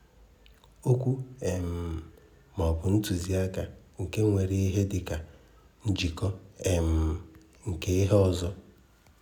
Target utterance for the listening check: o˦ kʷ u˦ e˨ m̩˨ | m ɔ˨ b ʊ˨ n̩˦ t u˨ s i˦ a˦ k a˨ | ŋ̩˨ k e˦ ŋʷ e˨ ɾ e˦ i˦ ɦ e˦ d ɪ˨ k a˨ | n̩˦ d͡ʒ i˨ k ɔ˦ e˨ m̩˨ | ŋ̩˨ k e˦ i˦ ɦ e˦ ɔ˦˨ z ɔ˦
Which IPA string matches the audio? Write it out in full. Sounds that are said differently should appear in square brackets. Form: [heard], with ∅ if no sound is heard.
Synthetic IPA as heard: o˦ kʷ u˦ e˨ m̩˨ | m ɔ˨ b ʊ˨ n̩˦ t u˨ [z] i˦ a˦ k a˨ | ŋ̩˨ k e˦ ŋʷ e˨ ɾ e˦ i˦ ɦ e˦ d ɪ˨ k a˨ | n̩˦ d͡ʒ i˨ k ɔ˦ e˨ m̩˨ | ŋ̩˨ k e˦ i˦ ɦ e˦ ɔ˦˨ z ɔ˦